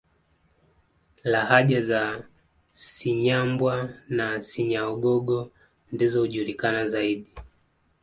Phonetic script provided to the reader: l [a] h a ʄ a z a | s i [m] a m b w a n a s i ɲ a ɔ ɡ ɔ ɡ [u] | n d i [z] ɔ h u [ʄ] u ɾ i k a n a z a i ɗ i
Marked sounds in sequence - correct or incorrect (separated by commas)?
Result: correct, incorrect, incorrect, correct, correct